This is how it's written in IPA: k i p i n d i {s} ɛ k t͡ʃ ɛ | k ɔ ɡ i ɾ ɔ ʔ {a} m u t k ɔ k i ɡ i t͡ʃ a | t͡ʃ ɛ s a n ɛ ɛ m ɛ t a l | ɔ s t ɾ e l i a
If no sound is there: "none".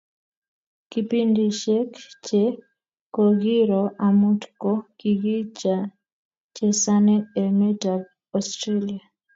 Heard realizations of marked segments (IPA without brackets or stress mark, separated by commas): ʃ, a